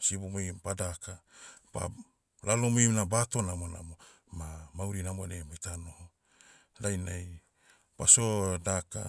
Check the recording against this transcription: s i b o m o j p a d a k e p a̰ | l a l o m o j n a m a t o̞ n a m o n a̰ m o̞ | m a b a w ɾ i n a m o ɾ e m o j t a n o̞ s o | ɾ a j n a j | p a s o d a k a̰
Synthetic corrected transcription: s i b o m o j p a d a k a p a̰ | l a l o m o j n a b a t o̞ n a m o n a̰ m o̞ | m a m a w ɾ i n a m o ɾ e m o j t a n o̞ h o | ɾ a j n a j | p a s o d a k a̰